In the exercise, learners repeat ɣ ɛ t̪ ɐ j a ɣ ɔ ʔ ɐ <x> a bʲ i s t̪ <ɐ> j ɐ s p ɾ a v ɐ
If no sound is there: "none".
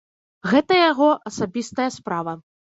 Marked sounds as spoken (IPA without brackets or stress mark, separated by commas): s, ɐ